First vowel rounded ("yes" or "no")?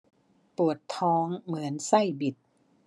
yes